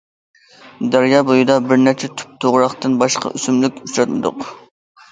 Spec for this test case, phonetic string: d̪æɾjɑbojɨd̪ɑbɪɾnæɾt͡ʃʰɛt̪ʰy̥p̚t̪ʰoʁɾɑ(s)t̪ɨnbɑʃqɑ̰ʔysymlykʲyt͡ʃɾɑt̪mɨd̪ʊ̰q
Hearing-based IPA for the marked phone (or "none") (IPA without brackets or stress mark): χ